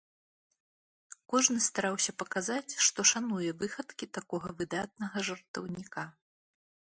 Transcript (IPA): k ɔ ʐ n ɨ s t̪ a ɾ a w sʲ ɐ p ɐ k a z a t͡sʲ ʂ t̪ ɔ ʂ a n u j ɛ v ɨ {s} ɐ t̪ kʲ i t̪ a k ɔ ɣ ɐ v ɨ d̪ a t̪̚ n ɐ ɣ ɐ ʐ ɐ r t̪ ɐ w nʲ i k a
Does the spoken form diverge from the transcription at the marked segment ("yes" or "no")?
yes